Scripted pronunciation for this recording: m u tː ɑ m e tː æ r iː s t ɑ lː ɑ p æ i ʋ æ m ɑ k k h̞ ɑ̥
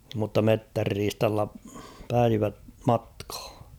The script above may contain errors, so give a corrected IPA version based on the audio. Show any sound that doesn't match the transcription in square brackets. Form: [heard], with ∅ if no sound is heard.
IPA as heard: m u tː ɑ m e tː æ [rː] iː s t ɑ lː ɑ p æ i ʋ æ m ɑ [t] k h̞ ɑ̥